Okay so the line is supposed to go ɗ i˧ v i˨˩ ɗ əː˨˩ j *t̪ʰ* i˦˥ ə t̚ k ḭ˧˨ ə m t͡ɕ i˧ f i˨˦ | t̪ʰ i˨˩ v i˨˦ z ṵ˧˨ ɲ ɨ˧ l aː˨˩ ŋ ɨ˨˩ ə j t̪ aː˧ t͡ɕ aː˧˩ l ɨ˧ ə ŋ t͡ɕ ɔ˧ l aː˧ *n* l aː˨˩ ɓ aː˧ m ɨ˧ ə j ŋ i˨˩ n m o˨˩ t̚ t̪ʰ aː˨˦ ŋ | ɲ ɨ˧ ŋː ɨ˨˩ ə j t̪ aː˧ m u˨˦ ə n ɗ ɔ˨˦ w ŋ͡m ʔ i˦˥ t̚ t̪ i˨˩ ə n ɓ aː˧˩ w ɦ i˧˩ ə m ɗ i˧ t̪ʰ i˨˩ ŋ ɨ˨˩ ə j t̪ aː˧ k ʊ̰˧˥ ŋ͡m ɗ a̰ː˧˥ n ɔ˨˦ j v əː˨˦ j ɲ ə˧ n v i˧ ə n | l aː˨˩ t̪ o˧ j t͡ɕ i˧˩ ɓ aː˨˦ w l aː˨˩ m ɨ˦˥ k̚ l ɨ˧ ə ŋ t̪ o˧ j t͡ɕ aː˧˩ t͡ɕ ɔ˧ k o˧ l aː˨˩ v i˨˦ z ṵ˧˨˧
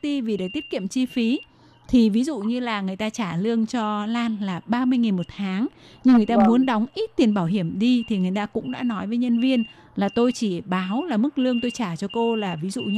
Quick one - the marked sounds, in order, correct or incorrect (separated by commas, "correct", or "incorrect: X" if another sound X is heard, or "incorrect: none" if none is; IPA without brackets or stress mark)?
incorrect: t̪, correct